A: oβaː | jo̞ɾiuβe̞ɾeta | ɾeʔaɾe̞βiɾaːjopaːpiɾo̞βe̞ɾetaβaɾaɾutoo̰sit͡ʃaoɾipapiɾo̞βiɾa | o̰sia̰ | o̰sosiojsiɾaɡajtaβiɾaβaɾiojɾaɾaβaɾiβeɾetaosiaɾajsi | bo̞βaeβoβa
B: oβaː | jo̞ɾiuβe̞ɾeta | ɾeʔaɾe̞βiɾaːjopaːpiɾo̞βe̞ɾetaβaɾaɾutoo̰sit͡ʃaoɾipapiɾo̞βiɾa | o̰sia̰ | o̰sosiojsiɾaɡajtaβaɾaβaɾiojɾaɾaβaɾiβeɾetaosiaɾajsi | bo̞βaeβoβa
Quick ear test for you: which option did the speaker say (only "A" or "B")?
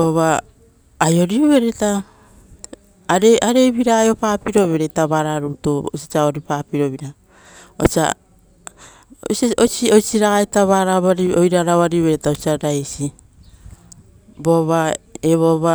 B